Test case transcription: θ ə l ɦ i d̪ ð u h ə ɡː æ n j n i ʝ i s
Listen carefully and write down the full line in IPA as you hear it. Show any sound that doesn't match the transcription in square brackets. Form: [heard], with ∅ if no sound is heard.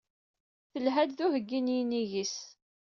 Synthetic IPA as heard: θ ə l ɦ [æ] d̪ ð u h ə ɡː [i] n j n i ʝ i s